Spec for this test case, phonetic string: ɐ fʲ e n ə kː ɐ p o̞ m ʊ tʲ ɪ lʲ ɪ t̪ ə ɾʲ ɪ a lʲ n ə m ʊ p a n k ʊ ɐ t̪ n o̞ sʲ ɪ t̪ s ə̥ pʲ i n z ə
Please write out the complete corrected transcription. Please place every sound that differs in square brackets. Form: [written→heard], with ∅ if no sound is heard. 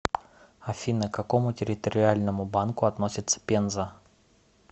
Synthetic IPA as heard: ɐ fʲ [e→i] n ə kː ɐ [p→k] o̞ m ʊ tʲ ɪ [lʲ→ɾʲ] ɪ t̪ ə ɾʲ ɪ a lʲ n ə m ʊ [p→b] a n k ʊ ɐ t̪ n o̞ sʲ ɪ t̪ s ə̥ pʲ [i→e] n z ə